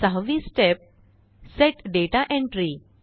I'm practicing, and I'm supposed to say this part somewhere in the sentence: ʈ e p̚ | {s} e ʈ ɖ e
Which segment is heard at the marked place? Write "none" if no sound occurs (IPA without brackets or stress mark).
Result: s